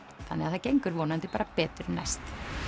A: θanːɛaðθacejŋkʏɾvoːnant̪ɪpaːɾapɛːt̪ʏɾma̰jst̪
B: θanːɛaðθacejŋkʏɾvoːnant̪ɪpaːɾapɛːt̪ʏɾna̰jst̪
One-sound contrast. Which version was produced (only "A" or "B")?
B